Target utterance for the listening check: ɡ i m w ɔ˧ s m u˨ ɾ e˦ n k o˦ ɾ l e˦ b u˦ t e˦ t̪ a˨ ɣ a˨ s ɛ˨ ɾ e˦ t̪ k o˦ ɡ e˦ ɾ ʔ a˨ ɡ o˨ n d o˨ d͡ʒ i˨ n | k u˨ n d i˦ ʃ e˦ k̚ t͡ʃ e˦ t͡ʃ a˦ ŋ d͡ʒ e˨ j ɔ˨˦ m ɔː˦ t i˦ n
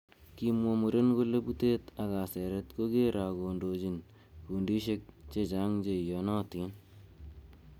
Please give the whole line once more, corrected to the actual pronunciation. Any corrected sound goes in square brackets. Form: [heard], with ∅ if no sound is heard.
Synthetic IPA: [k] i m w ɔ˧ [∅] m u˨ ɾ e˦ n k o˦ [∅] l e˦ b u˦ t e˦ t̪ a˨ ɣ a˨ s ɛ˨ ɾ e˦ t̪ k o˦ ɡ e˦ ɾ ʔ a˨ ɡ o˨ n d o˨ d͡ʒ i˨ n | k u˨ n d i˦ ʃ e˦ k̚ t͡ʃ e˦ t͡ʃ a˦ ŋ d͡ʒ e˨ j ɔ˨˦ [n] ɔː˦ t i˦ n